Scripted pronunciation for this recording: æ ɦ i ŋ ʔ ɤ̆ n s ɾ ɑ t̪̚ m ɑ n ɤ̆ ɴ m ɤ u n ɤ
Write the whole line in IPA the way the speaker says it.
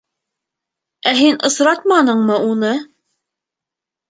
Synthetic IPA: æ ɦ i n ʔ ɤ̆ s ɾ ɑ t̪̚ m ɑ n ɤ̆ ɴ m ɤ u n ɤ

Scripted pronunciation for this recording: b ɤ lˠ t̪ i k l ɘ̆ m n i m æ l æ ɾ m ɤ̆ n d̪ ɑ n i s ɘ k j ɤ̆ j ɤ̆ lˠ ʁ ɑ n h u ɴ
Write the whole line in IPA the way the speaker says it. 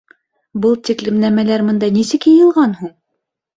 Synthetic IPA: b ɤ lˠ t̪ i k l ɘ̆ m n æ m æ l æ ɾ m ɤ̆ n d̪ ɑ n i s ɘ k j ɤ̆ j ɤ̆ lˠ ʁ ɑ n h u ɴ

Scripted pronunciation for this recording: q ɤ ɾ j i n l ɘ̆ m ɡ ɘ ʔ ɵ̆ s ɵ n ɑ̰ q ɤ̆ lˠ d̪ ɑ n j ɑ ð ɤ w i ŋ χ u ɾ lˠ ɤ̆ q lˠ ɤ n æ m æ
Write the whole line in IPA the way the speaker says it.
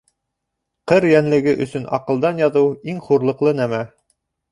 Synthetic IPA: q ɤ ɾ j æ n l ɘ̆ ɡ ɘ ʔ ɵ̆ s ɵ n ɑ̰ q ɤ̆ lˠ d̪ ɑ n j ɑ ð ɤ w i ŋ χ u ɾ lˠ ɤ̆ q lˠ ɤ n æ m æ

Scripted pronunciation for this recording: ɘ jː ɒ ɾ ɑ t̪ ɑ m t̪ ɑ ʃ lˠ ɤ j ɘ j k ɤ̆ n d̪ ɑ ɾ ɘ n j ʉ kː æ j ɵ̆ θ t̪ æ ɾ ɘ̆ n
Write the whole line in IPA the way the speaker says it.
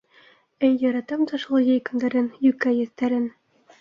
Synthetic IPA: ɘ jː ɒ ɾ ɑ t̪ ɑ m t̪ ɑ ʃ lˠ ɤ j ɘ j k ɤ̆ n d̪ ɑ ɾ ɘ n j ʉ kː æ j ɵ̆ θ t̪ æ ɾ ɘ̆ n

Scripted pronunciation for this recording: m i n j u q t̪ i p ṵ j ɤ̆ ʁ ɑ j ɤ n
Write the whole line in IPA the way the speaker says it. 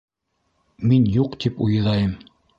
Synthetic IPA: m i n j u q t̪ i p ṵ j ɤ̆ ð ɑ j ɤ m

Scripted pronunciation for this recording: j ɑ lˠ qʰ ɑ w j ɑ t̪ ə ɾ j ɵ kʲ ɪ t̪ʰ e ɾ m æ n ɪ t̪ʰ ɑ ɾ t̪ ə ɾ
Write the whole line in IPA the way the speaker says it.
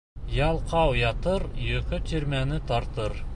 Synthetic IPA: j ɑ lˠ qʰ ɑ w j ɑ t̪ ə ɾ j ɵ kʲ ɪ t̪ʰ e ɾ m æ n ɪ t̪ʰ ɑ ɾ t̪ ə ɾ

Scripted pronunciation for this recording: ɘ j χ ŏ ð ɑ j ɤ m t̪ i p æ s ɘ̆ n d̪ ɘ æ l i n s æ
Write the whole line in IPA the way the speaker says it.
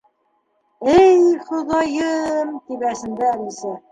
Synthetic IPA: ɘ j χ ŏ ð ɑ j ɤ m t̪ i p æ s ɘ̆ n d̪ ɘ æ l i s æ

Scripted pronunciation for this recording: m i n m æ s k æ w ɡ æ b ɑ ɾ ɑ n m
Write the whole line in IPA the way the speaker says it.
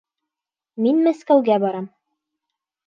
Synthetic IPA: m i n m æ s k æ w ɡ æ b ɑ ɾ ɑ m

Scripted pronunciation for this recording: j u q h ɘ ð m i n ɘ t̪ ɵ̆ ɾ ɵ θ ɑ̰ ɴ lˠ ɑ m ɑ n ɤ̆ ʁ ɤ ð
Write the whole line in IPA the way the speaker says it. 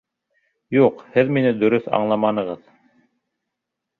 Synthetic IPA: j u q h ɘ ð m i n ɘ d̪ ɵ̆ ɾ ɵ θ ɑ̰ ɴ lˠ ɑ m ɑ n ɤ̆ ʁ ɤ ð

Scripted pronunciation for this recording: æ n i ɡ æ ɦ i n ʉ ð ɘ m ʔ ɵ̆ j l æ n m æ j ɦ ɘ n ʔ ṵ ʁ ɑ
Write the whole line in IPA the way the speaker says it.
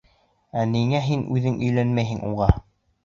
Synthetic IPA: æ n i ŋ æ ɦ i n ʉ ð ɘ ŋ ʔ ɵ̆ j l æ n m æ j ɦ ɘ ŋ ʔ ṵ ʁ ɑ

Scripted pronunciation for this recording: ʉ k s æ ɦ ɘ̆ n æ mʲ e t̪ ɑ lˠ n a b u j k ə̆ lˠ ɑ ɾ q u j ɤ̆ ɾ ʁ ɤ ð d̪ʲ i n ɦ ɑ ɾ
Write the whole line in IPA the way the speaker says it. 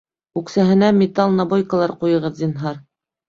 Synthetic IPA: ʉ k s æ ɦ ɘ̆ n æ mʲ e t̪ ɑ lˠ n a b o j k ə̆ lˠ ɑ ɾ q u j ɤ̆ ʁ ɤ ð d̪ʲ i n ɦ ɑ ɾ

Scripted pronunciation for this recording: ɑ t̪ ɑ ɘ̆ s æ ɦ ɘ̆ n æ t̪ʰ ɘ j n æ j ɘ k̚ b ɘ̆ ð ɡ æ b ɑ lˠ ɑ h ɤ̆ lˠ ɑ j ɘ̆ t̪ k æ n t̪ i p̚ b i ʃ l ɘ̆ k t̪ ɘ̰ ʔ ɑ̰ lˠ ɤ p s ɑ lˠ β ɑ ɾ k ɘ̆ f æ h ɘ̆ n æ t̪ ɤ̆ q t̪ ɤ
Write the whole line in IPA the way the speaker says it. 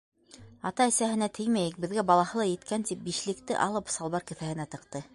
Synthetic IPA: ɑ t̪ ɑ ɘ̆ s æ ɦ ɘ̆ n æ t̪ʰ ɘ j m æ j ɘ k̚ b ɘ̆ ð ɡ æ b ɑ lˠ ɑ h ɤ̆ lˠ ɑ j ɘ̆ t̪ k æ n t̪ i p̚ b i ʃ l ɘ̆ k t̪ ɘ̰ ʔ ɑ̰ lˠ ɤ p s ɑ lˠ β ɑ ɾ k ɘ̆ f æ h ɘ̆ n æ t̪ ɤ̆ q t̪ ɤ

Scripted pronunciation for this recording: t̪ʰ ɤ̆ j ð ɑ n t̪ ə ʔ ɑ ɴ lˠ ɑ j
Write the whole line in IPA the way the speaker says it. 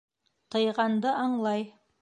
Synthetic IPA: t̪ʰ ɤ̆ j ʁ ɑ n d̪ ə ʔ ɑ ɴ lˠ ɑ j

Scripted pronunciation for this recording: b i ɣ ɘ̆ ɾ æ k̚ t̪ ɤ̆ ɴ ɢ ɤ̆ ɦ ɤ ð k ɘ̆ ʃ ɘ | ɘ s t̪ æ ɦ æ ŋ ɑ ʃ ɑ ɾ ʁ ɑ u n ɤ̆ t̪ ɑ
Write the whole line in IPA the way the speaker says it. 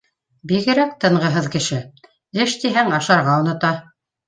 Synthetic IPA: b i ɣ ɘ̆ ɾ æ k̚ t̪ ɤ̆ ɴ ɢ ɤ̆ ɦ ɤ ð k ɘ̆ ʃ ɘ | ɘ ʃ t̪ i ɦ æ ŋ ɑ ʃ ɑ ɾ ʁ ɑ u n ɤ̆ t̪ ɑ

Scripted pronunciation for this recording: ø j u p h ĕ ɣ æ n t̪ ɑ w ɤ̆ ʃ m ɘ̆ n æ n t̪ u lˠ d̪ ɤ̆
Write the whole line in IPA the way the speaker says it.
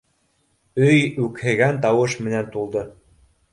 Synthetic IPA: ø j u k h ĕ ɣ æ n t̪ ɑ w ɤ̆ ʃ m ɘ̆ n æ n t̪ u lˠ d̪ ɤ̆

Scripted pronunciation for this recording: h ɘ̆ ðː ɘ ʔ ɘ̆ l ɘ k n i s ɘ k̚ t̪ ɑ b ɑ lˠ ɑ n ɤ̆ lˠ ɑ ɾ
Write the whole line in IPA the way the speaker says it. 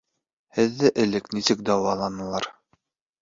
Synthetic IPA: h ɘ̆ ðː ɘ ʔ ɘ̆ l ɘ k n i s ɘ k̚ d̪ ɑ w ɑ lˠ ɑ n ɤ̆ lˠ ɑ ɾ

